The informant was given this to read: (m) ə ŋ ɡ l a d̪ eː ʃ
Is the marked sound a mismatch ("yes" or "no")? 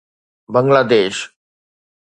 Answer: yes